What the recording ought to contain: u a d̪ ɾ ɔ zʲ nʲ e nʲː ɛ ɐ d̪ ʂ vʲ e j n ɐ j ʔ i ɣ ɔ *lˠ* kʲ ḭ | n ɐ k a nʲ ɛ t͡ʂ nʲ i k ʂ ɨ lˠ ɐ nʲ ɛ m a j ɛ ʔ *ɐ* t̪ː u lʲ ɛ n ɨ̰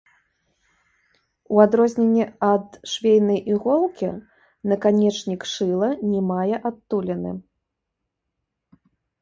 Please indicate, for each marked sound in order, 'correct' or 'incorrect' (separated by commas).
correct, incorrect